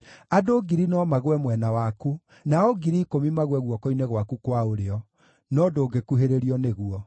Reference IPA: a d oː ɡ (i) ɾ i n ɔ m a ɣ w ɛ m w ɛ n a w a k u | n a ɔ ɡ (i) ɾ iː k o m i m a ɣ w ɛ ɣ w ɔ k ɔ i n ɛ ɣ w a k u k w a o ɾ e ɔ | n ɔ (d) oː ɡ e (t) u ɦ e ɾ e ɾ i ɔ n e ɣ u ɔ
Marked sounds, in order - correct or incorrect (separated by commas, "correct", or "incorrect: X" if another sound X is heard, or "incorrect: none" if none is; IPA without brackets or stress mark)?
correct, correct, correct, incorrect: k